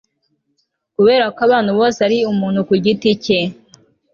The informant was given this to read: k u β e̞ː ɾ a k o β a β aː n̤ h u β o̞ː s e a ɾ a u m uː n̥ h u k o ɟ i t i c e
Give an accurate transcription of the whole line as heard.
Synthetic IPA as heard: k u β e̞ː ɾ a k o a β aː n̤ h u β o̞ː s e a ɾ i u m uː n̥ h u k u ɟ i t i c e